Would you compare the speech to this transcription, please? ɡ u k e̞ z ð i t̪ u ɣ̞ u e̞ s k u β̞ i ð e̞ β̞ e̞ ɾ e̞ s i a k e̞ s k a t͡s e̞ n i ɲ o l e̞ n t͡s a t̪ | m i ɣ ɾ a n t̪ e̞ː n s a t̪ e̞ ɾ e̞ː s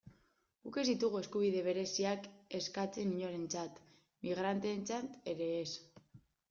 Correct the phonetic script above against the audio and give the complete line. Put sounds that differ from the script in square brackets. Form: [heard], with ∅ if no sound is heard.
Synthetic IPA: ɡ u k e̞ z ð i t̪ u ɣ̞ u e̞ s k u β̞ i ð e̞ β̞ e̞ ɾ e̞ s i a k e̞ s k a t͡s e̞ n i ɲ o [ɾ] e̞ n t͡s a t̪ | m i ɣ ɾ a n t̪ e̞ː n [t͡s] a t̪ e̞ ɾ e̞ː s